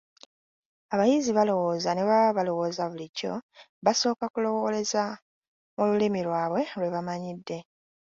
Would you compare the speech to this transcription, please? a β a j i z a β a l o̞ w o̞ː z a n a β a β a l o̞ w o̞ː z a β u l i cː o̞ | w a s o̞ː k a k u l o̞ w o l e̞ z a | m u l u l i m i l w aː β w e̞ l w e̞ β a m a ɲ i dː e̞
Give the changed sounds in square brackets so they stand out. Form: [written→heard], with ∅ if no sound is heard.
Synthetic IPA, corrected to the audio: a β a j i z [a→i] β a l o̞ w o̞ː z a n [a→e] β a β a l o̞ w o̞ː z a β u l i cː o̞ | [w→β] a s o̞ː k a k u l o̞ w o l e̞ z a | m u l u l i m i l w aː β w e̞ l w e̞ β a m a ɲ i dː e̞

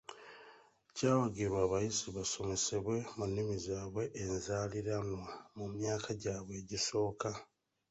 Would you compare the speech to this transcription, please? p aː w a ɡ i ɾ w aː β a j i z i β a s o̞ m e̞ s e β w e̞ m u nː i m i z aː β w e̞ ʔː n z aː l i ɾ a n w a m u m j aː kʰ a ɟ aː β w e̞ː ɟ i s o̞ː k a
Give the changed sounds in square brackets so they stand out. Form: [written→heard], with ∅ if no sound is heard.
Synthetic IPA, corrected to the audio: [p→c] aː w a ɡ i ɾ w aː β a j i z i β a s o̞ m e̞ s e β w e̞ m u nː i m i z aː β w e̞ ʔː n z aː l i ɾ a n w a m u m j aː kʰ a ɟ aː β w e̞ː ɟ i s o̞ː k a

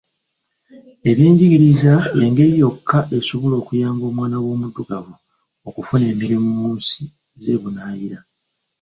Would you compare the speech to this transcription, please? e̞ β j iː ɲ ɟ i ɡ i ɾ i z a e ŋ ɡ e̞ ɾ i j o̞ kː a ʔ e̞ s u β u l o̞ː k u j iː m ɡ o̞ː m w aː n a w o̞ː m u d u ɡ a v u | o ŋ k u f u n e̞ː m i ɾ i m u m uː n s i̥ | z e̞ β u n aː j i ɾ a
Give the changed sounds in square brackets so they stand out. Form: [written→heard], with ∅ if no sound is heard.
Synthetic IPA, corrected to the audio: e̞ β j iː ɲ ɟ i ɡ i ɾ i z a e ŋ ɡ e̞ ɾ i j o̞ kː a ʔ e̞ s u β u l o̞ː k u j [iː→aː] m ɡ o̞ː m w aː n a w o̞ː m u d u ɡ a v u | o [ŋ→∅] k u f u n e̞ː m i ɾ i m u m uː n s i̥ | z e̞ β u n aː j i ɾ a

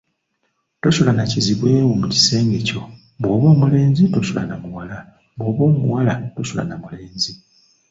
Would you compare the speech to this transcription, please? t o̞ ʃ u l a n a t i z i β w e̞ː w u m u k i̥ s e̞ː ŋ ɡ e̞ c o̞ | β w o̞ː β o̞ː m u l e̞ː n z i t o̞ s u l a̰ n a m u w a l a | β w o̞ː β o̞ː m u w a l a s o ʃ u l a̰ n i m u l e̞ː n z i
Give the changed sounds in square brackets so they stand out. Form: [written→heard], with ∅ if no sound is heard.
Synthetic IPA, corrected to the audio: t o̞ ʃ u l a n a [t→c] i z i β w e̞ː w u m u [k→c] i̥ s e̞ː ŋ ɡ e̞ c o̞ | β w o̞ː β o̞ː m u l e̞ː n z i t o̞ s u l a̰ n a m u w a l a | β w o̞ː β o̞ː m u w a l a [s→t] o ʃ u l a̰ n [i→a] m u l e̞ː n z i

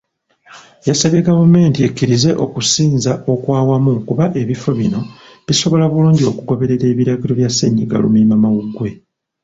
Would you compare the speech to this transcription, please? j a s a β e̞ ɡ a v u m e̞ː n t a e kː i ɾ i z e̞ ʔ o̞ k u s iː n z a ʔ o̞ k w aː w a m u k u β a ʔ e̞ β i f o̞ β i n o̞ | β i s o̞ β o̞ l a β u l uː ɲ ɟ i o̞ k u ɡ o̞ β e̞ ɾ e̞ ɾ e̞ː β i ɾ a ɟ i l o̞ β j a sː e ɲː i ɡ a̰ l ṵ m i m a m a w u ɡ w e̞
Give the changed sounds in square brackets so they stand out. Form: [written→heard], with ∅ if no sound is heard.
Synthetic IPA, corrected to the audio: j a s a β e̞ ɡ a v u m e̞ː n t [a→i] e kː i ɾ i z e̞ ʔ o̞ k u s iː n z a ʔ o̞ k w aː w a m u k u β a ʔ e̞ β i f o̞ β i n o̞ | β i s o̞ β o̞ l a β u l uː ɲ ɟ i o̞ k u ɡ o̞ β e̞ ɾ e̞ ɾ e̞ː β i ɾ a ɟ i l o̞ β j a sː e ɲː i ɡ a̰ l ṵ m i m a m a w u ɡ w e̞

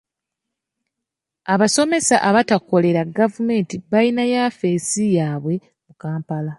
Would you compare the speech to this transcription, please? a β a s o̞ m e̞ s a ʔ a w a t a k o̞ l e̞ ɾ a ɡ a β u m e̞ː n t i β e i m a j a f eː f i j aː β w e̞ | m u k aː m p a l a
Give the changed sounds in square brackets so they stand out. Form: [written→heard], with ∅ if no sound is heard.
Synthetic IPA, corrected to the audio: a β a s o̞ m e̞ s a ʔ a [w→β] a t a k o̞ l e̞ ɾ a ɡ a [β→v] u m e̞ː n t i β [e→a] i [m→n] a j a f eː [f→s] i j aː β w e̞ | m u k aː m p a l a

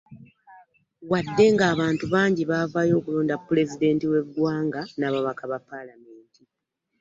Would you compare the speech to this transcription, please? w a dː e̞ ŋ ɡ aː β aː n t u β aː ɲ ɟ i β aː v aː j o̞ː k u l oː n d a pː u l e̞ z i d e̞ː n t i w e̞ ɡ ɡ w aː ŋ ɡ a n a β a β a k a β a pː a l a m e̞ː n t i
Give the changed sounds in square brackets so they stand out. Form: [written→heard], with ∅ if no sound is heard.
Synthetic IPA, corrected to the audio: w a dː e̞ ŋ ɡ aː β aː n t u β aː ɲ ɟ i β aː v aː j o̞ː k u l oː n d a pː u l e̞ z i d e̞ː n t i w e̞ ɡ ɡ w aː ŋ ɡ a n a β a β a k a β a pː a l a m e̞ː n t i

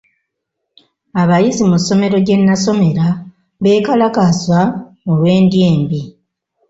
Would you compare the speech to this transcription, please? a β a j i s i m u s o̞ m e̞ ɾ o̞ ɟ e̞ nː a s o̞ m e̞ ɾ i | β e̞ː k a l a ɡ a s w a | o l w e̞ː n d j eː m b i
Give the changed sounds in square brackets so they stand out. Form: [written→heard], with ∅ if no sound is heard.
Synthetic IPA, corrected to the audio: a β a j i [s→z] i m u s o̞ m e̞ ɾ o̞ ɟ e̞ nː a s o̞ m e̞ ɾ [i→a] | β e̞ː k a l a [ɡ→k] a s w a | o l w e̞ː n d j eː m b i

